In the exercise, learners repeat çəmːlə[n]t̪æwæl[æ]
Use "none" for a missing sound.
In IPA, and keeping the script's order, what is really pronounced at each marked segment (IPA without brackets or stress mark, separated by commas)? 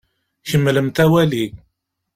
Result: m, i